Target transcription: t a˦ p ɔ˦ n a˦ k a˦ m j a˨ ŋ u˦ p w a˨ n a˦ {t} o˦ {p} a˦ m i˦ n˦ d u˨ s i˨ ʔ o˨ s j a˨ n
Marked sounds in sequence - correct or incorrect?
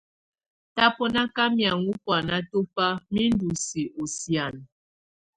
correct, correct

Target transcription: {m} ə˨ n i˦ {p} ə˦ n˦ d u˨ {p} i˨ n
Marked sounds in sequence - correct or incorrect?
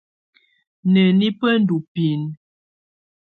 incorrect, correct, correct

